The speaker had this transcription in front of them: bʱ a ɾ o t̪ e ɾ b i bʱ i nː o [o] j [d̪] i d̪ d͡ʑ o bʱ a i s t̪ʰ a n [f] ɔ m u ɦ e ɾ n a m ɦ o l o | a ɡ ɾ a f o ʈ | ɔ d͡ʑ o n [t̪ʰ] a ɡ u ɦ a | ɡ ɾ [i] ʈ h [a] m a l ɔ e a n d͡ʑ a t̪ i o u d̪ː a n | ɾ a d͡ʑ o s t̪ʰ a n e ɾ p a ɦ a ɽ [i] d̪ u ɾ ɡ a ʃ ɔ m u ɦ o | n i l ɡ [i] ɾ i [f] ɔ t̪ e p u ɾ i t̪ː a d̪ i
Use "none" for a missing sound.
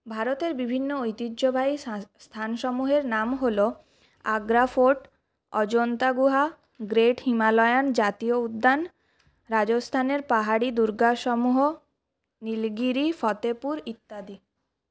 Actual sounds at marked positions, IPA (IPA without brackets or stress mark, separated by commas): o, t̪, ʃ, t̪, e, i, i, i, f